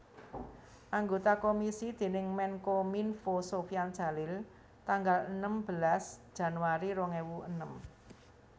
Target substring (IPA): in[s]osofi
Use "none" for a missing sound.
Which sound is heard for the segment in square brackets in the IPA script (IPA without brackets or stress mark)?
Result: f